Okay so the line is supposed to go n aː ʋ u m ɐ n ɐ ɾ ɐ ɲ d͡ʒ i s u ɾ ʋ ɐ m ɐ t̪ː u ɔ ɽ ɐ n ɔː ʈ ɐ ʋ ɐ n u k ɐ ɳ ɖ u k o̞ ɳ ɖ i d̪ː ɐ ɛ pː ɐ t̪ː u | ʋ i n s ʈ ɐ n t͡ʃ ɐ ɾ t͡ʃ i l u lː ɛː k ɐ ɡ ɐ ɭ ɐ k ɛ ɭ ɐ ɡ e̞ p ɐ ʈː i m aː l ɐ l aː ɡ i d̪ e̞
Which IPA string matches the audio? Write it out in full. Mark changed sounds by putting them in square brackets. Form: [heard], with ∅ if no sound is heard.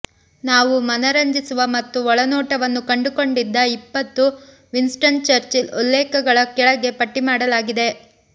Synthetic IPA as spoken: n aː ʋ u m ɐ n ɐ ɾ ɐ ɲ d͡ʒ i s u [∅] ʋ ɐ m ɐ t̪ː u ɔ [ɭ] ɐ n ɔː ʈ ɐ ʋ ɐ [nː] u k ɐ ɳ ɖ u k o̞ ɳ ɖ i d̪ː ɐ [i] pː ɐ t̪ː u | ʋ i n s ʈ ɐ n t͡ʃ ɐ ɾ t͡ʃ i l u lː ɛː k ɐ ɡ ɐ ɭ ɐ k ɛ ɭ ɐ ɡ e̞ p ɐ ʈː i m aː [ɽ] ɐ l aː ɡ i d̪ e̞